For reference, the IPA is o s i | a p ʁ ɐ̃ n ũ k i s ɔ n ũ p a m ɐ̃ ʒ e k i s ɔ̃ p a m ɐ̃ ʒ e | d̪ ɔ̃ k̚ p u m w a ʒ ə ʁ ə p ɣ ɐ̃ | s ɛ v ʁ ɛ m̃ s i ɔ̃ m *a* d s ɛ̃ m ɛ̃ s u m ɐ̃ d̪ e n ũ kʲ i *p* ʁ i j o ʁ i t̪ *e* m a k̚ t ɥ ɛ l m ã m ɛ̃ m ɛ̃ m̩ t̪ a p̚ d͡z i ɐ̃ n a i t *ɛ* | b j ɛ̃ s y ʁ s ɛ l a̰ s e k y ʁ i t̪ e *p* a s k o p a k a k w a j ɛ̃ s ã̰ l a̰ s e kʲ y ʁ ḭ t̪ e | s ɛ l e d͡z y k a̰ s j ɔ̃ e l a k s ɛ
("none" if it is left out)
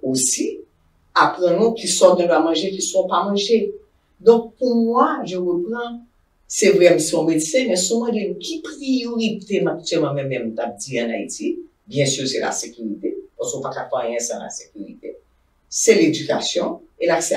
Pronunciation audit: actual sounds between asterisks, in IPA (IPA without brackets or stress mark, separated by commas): e, p, e, i, p